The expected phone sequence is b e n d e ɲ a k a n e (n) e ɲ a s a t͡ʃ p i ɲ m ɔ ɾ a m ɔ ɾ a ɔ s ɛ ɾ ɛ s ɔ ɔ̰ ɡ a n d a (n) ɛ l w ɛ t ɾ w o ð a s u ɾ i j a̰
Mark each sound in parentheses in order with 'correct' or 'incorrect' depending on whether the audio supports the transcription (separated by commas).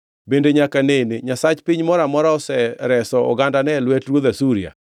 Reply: correct, correct